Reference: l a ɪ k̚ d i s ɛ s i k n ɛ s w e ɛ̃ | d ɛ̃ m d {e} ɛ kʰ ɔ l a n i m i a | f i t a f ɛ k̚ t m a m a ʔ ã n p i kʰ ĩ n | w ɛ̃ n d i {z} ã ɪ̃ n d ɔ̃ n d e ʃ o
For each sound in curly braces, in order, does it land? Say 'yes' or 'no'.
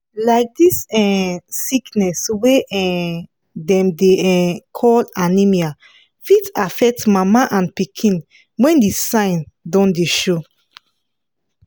yes, no

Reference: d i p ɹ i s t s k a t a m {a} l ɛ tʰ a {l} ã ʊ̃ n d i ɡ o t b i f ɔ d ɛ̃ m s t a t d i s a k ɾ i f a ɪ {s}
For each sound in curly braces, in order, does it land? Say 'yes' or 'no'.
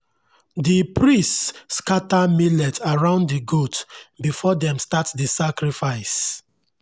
no, no, yes

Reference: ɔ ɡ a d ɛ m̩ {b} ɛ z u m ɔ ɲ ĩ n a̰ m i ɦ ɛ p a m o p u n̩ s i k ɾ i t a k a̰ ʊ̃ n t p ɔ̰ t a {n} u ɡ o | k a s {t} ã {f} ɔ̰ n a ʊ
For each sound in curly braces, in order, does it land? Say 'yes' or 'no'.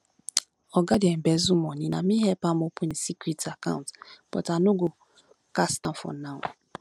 yes, yes, yes, yes

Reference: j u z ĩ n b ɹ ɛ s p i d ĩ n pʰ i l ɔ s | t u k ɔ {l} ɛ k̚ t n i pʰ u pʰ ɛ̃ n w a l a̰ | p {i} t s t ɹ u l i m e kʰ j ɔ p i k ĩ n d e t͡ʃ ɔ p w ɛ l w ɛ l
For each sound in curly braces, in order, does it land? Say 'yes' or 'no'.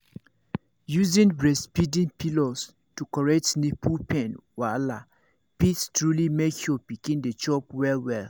no, yes

